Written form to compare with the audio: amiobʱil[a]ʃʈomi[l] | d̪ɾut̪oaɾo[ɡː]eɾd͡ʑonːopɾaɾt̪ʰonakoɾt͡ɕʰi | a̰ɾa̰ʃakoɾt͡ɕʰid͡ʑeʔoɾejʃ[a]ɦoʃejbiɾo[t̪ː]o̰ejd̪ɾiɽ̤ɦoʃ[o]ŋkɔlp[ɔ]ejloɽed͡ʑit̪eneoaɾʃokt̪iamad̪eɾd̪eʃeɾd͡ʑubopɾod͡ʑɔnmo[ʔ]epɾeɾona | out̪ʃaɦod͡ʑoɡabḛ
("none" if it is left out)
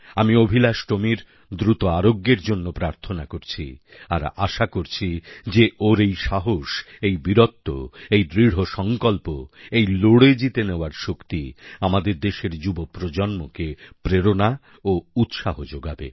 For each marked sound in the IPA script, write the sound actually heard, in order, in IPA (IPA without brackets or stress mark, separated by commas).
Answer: a, ɾ, ɡː, a, t̪ː, ɔ, o, k